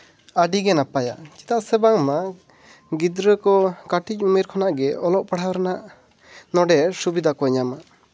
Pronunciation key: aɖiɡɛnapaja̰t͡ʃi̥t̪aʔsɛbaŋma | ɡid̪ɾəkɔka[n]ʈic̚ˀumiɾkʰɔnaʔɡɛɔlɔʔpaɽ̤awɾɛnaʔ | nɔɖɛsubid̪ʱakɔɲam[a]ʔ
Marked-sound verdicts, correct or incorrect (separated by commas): incorrect, correct